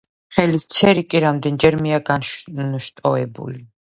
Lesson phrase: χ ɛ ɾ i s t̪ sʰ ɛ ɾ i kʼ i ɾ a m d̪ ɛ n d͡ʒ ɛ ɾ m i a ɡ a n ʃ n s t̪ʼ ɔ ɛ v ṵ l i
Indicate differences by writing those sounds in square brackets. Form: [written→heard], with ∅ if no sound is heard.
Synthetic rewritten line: χ ɛ [ɾ→l] i s t̪ sʰ ɛ ɾ i kʼ i ɾ a m d̪ ɛ n d͡ʒ ɛ ɾ m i a ɡ a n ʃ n [s→ʃ] t̪ʼ ɔ ɛ [v→b] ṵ l i